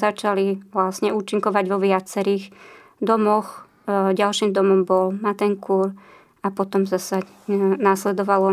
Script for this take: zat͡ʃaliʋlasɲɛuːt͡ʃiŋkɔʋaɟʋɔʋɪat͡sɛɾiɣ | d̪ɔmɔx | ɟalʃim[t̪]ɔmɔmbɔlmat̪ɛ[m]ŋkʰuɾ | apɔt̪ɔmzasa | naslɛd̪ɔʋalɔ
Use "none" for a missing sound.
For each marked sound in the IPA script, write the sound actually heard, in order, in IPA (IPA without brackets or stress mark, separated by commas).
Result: d̪, none